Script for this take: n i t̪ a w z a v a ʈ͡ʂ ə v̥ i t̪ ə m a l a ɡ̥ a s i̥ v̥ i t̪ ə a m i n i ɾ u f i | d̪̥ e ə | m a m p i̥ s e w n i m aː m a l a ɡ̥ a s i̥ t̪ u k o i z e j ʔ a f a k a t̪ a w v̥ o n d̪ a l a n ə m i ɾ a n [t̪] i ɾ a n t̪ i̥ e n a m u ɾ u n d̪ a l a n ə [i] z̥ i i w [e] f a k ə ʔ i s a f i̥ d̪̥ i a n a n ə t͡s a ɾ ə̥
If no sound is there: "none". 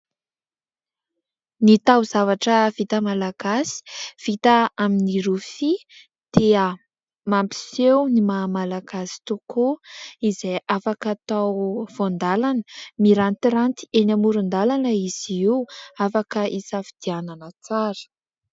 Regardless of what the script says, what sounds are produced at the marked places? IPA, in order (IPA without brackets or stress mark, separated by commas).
t̪, i, a